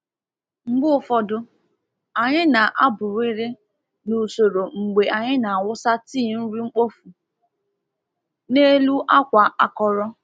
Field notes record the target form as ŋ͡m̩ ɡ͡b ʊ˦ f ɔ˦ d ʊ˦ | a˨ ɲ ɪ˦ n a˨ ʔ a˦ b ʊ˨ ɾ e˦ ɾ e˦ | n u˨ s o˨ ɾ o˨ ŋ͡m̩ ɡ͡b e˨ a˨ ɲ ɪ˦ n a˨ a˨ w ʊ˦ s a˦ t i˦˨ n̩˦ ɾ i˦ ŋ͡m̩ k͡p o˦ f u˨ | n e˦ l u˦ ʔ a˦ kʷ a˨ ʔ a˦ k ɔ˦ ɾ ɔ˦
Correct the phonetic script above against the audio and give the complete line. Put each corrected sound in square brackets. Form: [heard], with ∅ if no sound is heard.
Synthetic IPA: ŋ͡m̩ ɡ͡b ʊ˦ f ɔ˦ d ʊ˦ | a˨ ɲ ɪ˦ n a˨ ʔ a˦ b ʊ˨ ɾ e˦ ɾ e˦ | n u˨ s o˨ ɾ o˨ ŋ͡m̩ ɡ͡b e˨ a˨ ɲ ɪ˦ n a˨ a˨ w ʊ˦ s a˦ t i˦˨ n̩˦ ɾ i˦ ŋ͡m̩ k͡p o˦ f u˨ | n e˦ l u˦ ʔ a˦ kʷ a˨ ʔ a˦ k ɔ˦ ɾ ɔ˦